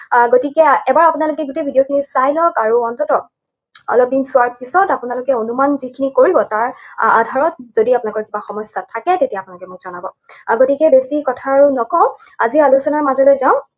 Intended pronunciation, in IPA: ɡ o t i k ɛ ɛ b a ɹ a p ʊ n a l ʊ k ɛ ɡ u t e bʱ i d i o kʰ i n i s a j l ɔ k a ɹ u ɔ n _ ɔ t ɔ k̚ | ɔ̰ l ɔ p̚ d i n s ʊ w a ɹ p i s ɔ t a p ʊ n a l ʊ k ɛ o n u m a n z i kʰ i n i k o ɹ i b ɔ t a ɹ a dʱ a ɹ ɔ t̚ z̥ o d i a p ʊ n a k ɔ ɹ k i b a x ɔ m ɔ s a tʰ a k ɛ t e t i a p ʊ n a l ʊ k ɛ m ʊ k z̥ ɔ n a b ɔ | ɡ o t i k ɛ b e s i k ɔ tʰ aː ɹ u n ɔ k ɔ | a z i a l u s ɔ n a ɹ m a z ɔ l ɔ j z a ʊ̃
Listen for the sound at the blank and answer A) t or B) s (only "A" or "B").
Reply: A